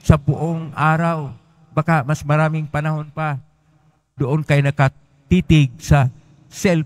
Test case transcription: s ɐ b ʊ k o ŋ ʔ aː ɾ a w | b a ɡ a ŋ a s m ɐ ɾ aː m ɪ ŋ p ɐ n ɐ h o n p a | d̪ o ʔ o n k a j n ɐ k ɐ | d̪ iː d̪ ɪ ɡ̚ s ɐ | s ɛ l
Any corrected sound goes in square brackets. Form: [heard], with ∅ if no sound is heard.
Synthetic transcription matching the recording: s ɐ b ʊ [ʔ] o ŋ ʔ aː ɾ a w | b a [k] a [m] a s m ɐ ɾ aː m ɪ ŋ p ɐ n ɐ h o n p a | d̪ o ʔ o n k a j n ɐ k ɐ | [t̪] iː [t̪] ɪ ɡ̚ s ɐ | s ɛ l